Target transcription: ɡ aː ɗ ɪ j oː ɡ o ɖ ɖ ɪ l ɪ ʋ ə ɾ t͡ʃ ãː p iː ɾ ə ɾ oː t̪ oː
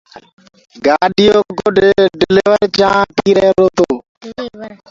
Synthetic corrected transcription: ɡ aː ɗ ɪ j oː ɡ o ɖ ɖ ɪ l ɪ ʋ ə ɾ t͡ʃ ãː p iː ɾ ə ɾ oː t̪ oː